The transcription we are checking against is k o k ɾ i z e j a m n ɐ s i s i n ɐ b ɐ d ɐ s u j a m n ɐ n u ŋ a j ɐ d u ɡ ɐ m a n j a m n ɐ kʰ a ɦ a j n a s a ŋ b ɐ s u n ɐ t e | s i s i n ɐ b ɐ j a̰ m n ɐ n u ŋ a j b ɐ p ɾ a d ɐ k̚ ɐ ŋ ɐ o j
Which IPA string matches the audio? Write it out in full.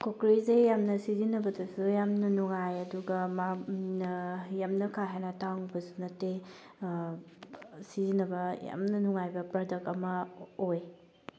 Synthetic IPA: k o k ɾ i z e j a m n ɐ s i z i n ɐ b ɐ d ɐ s u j a m n ɐ n u ŋ a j ɐ d u ɡ ɐ m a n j a m n ɐ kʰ a ɦ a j n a t a ŋ b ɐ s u n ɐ t e | s i z i n ɐ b ɐ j a̰ m n ɐ n u ŋ a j b ɐ p ɾ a d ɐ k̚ ɐ m ɐ o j